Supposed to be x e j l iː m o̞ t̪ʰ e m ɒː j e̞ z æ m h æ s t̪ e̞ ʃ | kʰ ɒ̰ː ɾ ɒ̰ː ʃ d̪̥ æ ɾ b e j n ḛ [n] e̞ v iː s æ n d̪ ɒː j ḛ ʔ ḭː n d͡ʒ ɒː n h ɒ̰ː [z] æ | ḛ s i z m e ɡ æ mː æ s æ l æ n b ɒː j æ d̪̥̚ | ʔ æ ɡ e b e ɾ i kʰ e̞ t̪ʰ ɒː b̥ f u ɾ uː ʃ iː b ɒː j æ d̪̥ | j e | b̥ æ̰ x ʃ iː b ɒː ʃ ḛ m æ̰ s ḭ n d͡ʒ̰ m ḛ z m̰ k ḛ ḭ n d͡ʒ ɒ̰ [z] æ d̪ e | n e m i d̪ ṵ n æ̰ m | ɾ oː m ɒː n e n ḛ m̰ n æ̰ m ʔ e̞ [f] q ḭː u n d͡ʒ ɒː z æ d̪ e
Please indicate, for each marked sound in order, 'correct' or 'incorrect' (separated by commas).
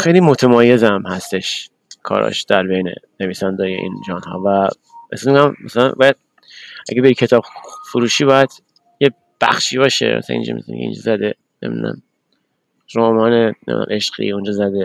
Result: correct, incorrect, correct, incorrect